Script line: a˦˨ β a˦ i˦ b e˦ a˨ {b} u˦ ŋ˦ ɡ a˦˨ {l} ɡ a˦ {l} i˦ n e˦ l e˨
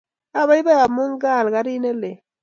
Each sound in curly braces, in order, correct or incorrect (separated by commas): incorrect, correct, incorrect